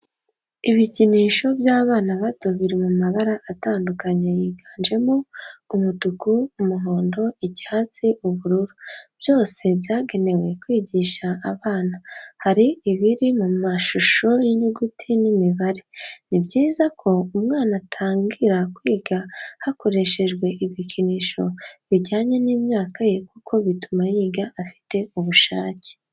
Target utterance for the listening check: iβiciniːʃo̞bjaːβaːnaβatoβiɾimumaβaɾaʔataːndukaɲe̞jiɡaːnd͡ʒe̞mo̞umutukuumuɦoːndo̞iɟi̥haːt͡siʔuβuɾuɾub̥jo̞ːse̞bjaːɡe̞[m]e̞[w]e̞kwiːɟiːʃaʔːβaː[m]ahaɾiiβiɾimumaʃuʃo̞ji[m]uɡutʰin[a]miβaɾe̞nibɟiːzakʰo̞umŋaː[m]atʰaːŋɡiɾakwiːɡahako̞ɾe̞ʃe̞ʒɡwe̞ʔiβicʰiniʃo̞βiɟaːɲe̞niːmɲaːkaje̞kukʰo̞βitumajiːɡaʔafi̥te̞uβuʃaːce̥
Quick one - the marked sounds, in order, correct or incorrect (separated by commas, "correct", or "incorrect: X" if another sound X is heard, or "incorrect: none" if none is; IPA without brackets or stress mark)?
incorrect: n, correct, incorrect: n, incorrect: ɲ, incorrect: i, incorrect: n